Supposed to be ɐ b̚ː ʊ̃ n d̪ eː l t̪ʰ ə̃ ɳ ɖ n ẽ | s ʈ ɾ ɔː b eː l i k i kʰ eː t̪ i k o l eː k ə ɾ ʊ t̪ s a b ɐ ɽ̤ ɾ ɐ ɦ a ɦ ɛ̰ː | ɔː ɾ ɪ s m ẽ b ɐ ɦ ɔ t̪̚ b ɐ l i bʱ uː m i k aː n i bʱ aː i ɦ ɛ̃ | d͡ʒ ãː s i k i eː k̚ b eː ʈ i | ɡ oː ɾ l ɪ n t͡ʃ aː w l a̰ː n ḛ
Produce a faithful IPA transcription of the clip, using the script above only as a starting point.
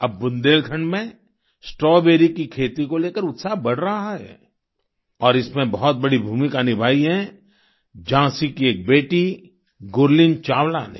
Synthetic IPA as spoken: ɐ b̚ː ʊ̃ n d̪ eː l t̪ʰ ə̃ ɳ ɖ m ẽ | s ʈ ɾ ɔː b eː ɾ i k i kʰ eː t̪ i k o l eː k ə ɾ ʊ t̪ s a b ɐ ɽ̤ ɾ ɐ ɦ a ɦ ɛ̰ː | ɔː ɾ ɪ s m ẽ b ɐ ɦ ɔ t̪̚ b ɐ ɽ i bʱ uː m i k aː n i bʱ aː i ɦ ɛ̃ | d͡ʒ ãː s i k i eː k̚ b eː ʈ i | ɡ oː ɾ l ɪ n t͡ʃ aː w l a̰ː n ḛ

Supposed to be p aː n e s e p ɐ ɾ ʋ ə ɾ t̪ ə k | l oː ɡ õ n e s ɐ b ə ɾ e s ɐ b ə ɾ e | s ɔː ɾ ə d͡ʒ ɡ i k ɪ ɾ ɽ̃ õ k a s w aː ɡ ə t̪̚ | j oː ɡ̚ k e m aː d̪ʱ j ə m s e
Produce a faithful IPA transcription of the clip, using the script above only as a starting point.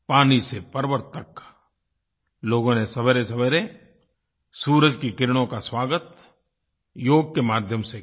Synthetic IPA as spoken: p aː n i s e p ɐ ɾ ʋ ə ɾ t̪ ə k | l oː ɡ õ n e s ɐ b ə ɾ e s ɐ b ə ɾ e | s uː ɾ ə d͡ʒ k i k ɪ ɾ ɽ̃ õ k a s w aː ɡ ə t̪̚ | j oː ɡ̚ k e m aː d̪ʱ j ə m s e

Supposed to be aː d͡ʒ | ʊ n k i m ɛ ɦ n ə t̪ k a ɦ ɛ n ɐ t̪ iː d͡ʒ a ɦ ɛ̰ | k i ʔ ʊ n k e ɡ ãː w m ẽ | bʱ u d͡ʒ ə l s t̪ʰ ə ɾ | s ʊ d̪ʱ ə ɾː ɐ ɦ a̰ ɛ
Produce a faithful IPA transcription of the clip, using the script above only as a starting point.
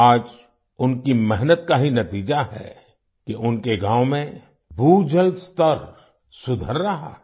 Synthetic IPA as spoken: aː d͡ʒ | ʊ n k i m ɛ ɦ n ə t̪ k a ɦ i n ɐ t̪ iː d͡ʒ a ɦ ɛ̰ | k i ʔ ʊ n k e ɡ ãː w m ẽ | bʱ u d͡ʒ ə l s t̪ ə ɾ | s ʊ d̪ʱ ə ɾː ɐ ɦ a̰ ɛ

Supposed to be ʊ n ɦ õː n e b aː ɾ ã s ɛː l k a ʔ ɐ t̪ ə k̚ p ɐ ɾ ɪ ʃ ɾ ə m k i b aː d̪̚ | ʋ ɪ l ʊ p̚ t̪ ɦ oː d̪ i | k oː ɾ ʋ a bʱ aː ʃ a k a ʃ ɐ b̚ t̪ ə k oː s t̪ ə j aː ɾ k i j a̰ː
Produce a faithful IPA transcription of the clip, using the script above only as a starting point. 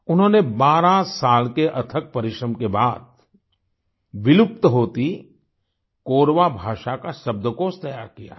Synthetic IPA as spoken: ʊ n ɦ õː n e b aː ɾ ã s aː l k e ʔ ɐ t̪ʰ ə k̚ p ɐ ɾ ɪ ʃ ɾ ə m k e b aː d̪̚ | ʋ ɪ l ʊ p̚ t̪ ɦ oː t̪ i | k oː ɾ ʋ a bʱ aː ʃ a k a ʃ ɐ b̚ d̪ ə k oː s t̪ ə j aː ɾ k i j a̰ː

